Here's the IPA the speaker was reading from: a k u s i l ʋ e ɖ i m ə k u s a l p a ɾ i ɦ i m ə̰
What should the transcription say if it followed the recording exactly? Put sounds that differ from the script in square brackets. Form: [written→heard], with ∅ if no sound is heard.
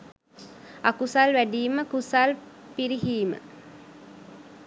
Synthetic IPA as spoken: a k u s [i→a] l ʋ [e→æ] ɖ [i→iː] m ə k u s a l p [a→i] ɾ i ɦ [i→iː] m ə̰